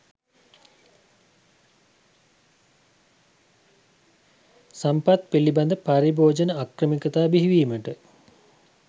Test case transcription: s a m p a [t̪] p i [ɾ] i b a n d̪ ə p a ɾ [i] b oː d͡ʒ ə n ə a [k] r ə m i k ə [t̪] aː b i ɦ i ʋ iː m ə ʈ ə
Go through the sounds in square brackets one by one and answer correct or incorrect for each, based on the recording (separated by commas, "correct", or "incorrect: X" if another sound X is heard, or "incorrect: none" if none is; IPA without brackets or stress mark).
correct, incorrect: l, correct, correct, correct